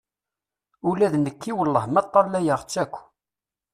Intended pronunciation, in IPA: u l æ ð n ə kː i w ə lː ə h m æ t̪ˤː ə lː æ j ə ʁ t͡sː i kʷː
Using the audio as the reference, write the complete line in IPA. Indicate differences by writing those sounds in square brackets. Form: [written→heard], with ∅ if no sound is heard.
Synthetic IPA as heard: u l æ ð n ə kː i w ə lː ə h m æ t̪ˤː [ə→ɑ] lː æ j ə ʁ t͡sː [i→æ] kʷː